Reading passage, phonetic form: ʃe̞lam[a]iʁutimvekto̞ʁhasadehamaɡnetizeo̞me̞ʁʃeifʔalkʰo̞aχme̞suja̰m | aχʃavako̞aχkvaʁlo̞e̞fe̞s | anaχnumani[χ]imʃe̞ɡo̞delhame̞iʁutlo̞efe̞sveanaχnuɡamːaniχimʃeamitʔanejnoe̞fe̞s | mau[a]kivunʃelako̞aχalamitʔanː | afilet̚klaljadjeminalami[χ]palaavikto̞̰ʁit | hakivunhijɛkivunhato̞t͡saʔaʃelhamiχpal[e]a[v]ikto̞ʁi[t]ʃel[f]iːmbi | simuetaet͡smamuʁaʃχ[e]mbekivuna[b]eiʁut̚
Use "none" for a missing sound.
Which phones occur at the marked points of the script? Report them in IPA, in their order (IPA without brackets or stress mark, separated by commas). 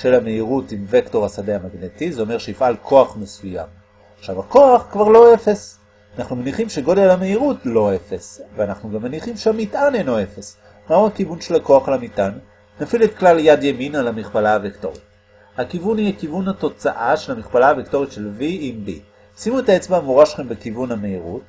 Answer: e, χ, a, χ, a, v, t, v, e, m